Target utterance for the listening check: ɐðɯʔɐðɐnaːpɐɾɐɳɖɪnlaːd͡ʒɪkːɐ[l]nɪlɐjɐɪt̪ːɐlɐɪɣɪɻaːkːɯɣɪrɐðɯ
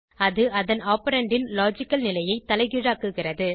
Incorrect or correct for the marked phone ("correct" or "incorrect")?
correct